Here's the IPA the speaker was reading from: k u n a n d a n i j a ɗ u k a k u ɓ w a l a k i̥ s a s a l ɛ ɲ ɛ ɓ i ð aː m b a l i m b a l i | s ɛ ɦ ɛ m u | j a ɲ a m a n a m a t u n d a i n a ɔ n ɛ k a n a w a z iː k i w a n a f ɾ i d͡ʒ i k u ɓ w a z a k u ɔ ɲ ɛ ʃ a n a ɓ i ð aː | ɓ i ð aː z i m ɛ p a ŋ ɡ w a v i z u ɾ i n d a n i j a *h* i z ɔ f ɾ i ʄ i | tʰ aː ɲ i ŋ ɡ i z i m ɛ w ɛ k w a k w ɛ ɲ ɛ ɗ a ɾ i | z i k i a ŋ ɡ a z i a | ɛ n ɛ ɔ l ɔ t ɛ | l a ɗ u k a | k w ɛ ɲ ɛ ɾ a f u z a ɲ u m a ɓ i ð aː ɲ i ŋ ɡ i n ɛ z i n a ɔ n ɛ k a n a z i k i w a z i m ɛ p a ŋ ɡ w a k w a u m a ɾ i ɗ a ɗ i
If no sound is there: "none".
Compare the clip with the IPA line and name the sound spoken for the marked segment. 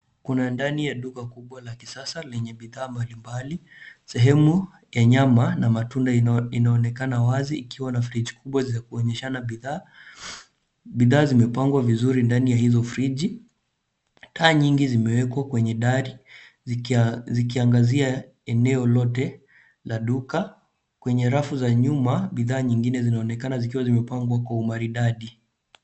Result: h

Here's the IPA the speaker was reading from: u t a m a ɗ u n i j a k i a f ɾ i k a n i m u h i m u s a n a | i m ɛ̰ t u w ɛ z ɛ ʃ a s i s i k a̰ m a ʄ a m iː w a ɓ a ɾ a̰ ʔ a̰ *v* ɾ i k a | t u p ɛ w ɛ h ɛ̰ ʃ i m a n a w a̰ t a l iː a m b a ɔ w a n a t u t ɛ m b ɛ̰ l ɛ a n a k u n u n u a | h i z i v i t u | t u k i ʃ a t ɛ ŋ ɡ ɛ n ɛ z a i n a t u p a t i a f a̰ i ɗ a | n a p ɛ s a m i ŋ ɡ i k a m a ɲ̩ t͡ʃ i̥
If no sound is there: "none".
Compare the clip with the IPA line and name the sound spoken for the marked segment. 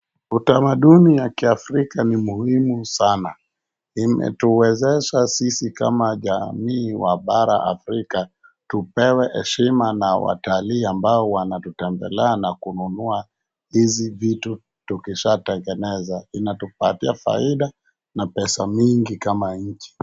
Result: f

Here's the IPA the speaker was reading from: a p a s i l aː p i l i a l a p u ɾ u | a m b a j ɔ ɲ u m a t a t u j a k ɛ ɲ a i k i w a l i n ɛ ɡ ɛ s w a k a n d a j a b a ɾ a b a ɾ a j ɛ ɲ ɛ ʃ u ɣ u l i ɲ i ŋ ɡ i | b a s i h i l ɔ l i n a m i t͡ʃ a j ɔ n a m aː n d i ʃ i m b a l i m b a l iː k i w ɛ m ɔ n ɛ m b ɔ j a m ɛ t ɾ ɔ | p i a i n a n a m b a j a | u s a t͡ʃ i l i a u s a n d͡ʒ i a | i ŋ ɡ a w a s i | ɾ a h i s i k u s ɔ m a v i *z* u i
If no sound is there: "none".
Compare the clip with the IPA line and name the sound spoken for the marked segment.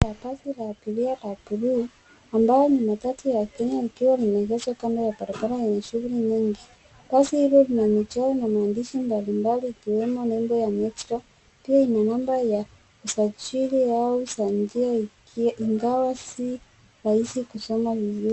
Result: z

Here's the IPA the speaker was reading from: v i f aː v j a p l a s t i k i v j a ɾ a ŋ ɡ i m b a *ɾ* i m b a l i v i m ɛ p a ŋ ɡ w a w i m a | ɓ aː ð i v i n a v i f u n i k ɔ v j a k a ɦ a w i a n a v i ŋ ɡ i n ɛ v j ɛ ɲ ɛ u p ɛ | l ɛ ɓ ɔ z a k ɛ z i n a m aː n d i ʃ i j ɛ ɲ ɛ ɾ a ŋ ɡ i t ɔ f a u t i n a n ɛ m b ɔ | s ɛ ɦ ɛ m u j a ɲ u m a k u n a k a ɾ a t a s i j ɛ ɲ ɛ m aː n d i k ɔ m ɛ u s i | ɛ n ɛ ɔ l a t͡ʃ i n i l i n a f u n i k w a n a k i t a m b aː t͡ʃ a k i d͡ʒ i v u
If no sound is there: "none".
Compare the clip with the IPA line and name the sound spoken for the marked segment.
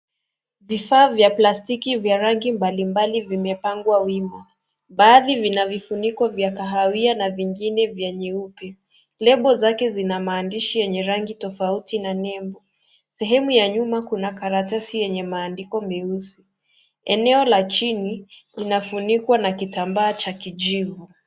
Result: l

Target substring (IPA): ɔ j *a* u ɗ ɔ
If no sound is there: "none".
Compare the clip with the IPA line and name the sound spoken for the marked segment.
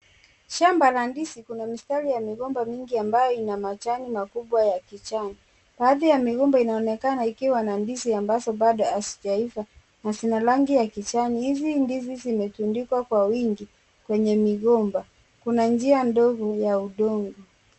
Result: a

